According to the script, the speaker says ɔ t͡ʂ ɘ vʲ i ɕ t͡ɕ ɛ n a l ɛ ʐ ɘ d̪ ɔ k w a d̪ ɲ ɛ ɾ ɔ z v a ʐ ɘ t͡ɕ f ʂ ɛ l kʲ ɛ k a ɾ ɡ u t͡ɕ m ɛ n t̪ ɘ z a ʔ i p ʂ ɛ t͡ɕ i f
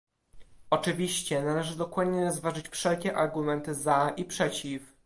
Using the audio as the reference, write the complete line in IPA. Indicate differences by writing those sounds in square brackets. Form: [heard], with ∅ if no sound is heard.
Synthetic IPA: ɔ t͡ʂ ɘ vʲ i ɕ t͡ɕ ɛ n a l ɛ ʐ ɘ d̪ ɔ k w a d̪ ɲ ɛ ɾ ɔ z v a ʐ ɘ t͡ɕ f ʂ ɛ l kʲ ɛ [ʔ] a ɾ ɡ u [∅] m ɛ n t̪ ɘ z a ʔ i p ʂ ɛ t͡ɕ i f